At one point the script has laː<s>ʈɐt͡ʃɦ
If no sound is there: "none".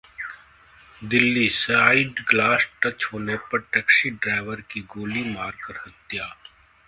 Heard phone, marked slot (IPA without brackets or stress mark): s